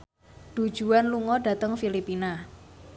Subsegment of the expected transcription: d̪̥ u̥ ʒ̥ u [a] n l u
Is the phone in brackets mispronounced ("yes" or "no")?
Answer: no